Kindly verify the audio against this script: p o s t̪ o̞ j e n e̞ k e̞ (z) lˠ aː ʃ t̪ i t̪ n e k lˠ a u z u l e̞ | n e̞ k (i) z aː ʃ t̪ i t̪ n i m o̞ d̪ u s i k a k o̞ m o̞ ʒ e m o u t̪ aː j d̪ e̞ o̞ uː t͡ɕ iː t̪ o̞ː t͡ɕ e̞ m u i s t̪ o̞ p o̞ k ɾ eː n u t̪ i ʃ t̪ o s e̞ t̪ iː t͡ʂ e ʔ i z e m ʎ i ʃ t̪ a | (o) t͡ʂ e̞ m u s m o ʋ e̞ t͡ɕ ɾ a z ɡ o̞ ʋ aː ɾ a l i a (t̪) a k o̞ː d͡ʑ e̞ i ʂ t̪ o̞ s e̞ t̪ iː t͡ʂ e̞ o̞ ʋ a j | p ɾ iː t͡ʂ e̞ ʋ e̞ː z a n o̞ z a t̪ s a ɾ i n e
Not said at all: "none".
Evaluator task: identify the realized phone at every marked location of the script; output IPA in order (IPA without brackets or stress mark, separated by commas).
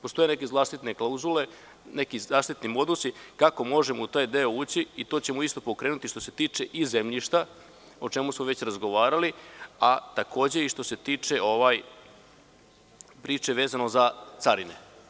z, i, o, t̪